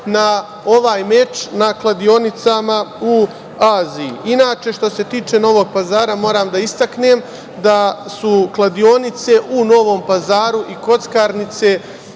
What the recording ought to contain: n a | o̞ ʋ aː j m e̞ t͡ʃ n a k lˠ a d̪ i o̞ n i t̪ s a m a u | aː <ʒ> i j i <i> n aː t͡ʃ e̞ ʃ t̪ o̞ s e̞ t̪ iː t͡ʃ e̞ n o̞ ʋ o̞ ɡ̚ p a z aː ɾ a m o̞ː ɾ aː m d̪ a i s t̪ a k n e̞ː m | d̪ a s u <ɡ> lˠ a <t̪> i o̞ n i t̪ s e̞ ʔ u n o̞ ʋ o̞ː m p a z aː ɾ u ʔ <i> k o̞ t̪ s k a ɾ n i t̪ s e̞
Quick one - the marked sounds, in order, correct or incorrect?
incorrect: z, correct, incorrect: k, incorrect: d̪, correct

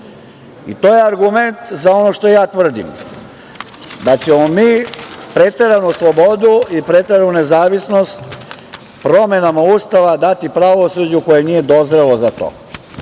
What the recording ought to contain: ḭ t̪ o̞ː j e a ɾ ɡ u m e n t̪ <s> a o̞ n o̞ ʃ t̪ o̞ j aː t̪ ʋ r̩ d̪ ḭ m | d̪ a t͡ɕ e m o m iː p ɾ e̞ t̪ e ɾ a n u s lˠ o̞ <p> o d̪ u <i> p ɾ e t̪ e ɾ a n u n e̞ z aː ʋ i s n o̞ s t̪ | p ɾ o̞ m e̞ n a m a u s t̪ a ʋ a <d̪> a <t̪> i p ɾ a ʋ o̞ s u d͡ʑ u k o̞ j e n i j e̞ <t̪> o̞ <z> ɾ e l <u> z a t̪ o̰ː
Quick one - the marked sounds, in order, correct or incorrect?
incorrect: z, incorrect: b, correct, correct, correct, incorrect: d̪, correct, incorrect: o

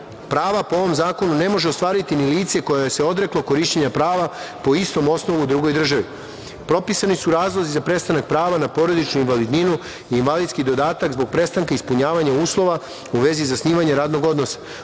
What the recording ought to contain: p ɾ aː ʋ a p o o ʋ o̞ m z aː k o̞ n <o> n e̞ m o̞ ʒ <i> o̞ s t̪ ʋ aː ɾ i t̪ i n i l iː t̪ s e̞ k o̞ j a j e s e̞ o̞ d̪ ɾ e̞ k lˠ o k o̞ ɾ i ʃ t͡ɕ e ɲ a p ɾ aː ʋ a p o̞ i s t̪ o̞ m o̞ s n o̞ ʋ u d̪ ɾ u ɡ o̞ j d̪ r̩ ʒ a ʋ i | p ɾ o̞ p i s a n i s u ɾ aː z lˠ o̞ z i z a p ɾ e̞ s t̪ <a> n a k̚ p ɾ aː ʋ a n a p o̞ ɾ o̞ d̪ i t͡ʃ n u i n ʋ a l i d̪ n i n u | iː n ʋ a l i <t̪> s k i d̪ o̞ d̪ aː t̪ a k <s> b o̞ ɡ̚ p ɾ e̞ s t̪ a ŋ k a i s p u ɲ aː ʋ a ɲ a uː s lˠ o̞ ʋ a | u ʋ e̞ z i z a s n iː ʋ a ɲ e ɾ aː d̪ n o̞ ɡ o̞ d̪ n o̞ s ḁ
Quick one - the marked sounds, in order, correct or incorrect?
incorrect: u, incorrect: e, correct, incorrect: d̪, incorrect: z

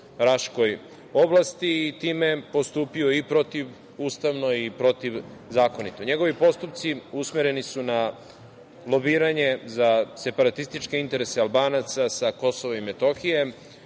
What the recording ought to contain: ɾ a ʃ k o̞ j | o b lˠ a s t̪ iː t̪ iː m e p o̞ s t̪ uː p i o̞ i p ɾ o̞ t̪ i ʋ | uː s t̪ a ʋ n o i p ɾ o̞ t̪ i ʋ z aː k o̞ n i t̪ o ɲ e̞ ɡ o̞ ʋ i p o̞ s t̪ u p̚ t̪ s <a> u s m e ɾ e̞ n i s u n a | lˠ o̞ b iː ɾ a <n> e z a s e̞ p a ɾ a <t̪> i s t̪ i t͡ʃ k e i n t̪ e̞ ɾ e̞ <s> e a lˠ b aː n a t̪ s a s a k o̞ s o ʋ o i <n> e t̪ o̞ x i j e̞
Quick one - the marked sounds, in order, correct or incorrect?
incorrect: i, incorrect: ɲ, correct, correct, incorrect: m

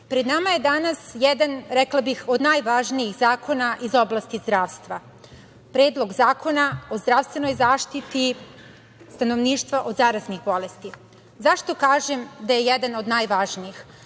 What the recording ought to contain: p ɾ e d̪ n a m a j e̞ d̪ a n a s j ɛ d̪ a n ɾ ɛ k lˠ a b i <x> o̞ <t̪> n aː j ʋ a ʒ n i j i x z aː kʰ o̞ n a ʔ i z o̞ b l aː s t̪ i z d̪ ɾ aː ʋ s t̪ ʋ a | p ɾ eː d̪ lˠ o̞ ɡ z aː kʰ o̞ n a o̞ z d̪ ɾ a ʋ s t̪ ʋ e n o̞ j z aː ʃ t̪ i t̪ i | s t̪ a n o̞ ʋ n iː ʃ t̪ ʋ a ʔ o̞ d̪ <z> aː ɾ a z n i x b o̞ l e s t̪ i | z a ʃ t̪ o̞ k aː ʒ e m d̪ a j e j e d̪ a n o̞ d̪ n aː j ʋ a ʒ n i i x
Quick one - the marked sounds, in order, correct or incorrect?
correct, incorrect: d̪, correct

